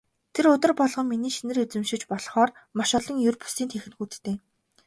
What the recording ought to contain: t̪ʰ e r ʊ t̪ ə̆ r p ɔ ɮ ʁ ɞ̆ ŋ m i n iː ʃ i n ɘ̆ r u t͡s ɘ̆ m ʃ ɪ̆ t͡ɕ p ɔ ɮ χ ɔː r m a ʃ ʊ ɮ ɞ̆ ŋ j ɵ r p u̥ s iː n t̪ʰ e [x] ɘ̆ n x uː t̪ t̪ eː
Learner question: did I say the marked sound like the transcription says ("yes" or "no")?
yes